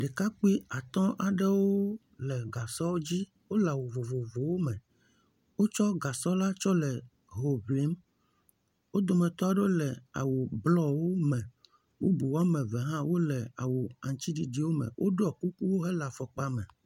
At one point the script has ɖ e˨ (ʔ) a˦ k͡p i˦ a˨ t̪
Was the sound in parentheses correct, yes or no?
no